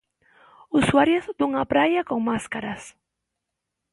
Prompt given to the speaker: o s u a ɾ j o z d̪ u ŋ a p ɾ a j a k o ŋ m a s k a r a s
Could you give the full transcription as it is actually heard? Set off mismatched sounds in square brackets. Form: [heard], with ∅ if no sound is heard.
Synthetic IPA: [u] s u a ɾ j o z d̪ u ŋ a p ɾ a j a k o ŋ m a s k a [ɾ] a s